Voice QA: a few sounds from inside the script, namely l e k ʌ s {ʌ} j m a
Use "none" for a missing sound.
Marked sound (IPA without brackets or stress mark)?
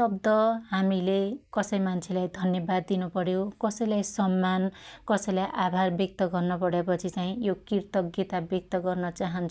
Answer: ʌ